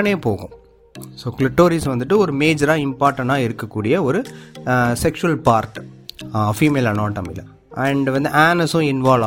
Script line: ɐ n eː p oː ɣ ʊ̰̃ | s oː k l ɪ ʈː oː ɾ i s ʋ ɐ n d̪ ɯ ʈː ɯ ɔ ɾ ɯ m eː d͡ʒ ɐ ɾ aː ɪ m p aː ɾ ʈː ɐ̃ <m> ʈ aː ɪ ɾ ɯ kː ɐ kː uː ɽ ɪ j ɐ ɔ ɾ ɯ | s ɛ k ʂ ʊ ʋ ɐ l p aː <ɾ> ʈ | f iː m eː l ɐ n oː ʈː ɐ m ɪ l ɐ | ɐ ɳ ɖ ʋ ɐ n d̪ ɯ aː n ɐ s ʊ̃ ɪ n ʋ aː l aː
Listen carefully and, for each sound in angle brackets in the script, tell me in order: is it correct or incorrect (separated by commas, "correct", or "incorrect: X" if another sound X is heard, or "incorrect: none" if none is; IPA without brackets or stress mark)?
incorrect: ɳ, correct